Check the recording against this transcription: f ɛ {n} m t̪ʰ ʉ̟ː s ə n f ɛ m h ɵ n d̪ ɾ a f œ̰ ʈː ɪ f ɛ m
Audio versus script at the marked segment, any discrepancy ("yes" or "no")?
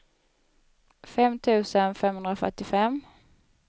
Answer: yes